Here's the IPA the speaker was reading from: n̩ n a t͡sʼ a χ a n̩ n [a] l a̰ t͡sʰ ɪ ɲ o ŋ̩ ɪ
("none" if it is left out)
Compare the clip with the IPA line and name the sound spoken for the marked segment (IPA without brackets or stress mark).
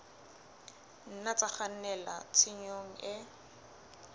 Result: ɛ